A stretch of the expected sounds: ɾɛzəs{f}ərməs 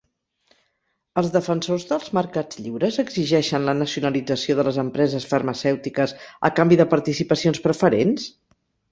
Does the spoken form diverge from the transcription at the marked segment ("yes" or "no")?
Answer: no